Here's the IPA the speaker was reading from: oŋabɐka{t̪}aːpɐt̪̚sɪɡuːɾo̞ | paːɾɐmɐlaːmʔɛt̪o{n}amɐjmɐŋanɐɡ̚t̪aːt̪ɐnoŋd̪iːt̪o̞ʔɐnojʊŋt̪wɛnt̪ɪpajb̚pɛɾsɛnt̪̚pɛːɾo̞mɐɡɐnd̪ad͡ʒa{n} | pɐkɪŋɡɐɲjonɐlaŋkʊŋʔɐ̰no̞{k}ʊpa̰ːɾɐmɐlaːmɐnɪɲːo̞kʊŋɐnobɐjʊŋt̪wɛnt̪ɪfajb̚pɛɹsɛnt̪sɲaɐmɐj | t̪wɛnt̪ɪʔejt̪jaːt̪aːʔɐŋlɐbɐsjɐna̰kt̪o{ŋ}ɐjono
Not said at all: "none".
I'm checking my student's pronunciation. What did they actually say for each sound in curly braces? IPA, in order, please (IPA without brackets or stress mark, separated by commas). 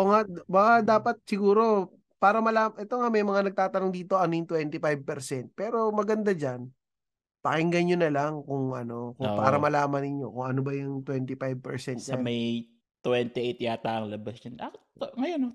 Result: d̪, ŋ, n, k, ŋ